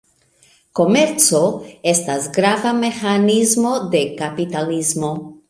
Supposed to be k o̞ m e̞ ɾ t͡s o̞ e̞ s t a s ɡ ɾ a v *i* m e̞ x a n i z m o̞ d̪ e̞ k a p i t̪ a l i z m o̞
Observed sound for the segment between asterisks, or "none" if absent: a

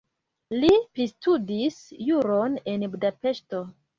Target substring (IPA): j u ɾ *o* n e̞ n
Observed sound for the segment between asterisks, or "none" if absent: o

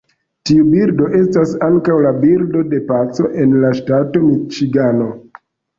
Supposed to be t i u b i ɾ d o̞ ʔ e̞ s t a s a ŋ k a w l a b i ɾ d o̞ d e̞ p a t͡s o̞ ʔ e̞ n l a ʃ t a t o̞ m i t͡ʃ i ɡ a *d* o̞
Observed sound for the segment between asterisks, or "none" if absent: n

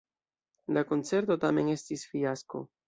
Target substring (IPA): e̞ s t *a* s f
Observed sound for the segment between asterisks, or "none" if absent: i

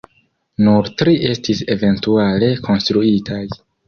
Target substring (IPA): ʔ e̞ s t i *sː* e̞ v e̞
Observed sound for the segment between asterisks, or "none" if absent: s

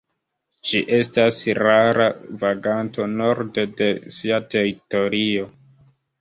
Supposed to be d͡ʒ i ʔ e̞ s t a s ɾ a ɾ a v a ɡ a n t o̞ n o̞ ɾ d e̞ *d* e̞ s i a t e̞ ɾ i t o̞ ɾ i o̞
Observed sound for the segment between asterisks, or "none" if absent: d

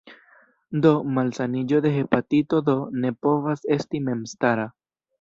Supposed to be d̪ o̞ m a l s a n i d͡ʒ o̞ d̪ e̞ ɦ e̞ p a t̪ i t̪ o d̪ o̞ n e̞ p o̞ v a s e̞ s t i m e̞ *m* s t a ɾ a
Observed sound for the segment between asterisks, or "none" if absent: m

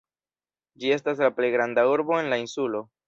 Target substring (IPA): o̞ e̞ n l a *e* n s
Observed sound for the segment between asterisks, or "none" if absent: i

